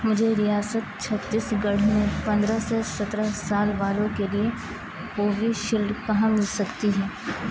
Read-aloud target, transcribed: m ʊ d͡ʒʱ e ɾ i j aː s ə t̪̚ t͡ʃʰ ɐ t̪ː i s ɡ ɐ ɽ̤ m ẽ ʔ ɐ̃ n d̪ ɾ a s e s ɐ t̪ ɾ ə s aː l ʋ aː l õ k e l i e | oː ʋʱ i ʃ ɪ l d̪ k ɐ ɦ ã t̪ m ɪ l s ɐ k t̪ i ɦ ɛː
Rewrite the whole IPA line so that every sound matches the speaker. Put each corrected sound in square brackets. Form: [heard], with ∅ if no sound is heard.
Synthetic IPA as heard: m ʊ d͡ʒʱ e ɾ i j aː s ə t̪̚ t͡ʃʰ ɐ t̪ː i s ɡ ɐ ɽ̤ m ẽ [p] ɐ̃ n d̪ ɾ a s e s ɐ t̪ ɾ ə s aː l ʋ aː l õ k e l i e | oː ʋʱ i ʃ ɪ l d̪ k ɐ ɦ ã [∅] m ɪ l s ɐ k t̪ i ɦ ɛː